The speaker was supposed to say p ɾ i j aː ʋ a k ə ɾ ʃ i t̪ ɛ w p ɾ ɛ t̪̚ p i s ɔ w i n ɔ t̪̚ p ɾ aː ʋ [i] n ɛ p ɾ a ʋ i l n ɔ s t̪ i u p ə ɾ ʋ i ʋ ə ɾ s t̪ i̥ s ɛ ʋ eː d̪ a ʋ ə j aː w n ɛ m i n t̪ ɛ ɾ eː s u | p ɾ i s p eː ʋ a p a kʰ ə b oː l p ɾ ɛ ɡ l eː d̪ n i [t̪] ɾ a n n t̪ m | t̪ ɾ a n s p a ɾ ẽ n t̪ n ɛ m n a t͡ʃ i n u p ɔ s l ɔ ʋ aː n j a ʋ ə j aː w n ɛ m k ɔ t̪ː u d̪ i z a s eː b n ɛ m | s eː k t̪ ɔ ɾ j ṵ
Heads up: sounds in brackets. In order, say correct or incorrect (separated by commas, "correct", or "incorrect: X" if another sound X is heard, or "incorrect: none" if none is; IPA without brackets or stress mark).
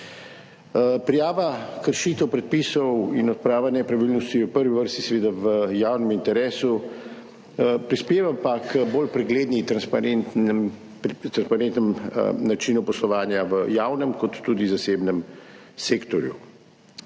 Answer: incorrect: a, correct